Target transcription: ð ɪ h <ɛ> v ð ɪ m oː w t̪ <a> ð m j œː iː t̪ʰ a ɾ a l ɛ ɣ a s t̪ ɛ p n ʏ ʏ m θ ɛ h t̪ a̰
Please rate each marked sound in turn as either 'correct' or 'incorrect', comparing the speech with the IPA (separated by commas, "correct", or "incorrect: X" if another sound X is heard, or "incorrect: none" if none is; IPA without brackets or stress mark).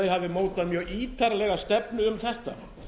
incorrect: a, correct